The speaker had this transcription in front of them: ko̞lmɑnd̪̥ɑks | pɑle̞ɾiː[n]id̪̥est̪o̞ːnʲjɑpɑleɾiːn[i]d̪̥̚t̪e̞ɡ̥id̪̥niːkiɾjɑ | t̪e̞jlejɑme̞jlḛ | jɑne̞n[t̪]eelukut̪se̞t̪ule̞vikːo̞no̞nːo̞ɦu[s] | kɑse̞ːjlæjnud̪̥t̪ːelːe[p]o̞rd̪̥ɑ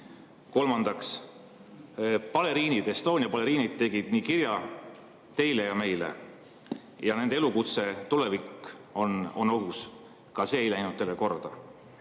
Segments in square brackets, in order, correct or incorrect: correct, correct, incorrect: d̪, correct, incorrect: k

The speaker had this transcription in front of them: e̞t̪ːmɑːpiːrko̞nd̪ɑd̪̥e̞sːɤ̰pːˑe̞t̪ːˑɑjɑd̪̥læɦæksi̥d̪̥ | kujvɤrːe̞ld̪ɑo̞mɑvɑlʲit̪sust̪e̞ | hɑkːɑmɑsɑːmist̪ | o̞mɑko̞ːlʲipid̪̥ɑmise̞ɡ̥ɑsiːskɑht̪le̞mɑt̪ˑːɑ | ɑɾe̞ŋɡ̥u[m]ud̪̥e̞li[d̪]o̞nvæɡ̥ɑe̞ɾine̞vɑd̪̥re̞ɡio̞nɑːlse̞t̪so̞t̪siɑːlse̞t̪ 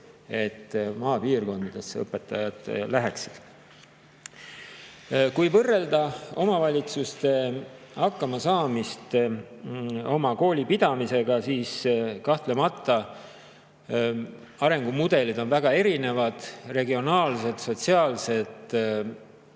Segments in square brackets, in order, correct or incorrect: correct, correct

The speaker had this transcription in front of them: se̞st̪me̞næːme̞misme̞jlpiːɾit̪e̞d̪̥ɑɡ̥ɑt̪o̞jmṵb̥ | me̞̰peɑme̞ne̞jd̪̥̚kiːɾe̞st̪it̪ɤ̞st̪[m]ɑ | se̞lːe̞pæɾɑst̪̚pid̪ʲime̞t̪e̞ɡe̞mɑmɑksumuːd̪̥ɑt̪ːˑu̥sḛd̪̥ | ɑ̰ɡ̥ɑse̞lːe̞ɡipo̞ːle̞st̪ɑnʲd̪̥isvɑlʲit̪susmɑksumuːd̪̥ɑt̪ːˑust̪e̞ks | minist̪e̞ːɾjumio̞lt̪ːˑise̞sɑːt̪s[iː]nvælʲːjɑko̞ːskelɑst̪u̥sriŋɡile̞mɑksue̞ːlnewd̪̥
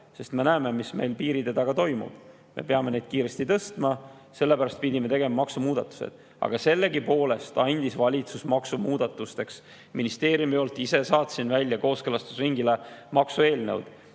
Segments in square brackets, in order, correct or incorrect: correct, incorrect: i

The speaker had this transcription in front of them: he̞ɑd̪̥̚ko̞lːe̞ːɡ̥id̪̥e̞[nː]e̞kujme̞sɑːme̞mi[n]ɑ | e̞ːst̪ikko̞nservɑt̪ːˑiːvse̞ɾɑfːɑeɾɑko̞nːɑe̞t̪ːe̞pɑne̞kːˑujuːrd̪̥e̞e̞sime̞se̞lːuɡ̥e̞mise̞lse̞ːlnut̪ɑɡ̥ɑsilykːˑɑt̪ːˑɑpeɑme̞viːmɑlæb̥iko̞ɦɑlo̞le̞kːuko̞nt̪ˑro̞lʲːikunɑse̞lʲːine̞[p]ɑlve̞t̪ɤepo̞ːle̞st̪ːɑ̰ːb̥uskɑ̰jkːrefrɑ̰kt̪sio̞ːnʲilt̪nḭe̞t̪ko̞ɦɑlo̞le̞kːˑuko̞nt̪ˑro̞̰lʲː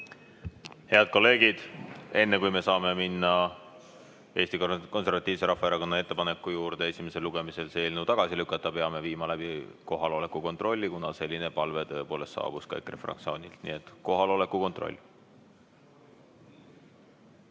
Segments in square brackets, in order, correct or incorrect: correct, incorrect: nː, correct

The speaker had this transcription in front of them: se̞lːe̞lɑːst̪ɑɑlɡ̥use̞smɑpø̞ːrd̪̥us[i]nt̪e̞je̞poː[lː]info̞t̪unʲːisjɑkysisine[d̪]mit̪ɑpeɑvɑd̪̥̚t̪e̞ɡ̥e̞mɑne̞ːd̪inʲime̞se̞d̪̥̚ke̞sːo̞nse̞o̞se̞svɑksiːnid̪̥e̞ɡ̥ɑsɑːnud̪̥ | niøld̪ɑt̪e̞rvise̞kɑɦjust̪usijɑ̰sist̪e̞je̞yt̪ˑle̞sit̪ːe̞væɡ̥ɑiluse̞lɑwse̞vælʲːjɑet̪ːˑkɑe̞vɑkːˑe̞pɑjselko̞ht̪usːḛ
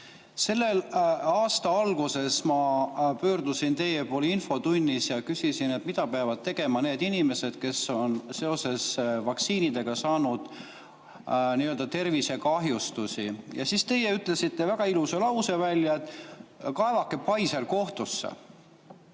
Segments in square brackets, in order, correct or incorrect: correct, incorrect: l, incorrect: t̪

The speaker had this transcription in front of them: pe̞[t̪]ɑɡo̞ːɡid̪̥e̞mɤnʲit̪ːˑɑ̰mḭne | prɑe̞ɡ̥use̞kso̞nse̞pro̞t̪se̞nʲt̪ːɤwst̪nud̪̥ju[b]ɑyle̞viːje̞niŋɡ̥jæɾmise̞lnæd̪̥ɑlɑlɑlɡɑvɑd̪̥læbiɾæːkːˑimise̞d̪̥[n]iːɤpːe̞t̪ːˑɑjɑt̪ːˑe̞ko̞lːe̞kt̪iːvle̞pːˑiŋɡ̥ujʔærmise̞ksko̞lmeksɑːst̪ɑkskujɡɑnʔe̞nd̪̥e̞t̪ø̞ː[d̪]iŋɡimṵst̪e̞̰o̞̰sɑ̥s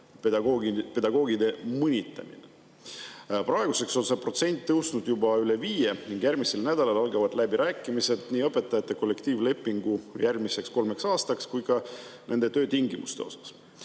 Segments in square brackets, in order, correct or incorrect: incorrect: d̪, correct, correct, incorrect: t̪

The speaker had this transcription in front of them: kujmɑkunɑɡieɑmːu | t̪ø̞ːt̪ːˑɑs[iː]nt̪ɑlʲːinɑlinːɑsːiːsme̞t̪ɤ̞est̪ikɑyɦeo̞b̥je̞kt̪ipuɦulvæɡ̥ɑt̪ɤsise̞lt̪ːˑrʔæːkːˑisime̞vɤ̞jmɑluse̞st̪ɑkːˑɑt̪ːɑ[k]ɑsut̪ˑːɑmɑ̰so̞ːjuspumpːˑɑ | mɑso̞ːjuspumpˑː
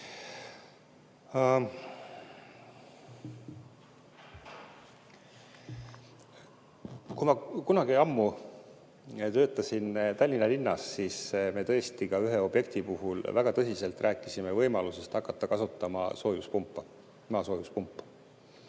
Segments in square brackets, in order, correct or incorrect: incorrect: i, correct

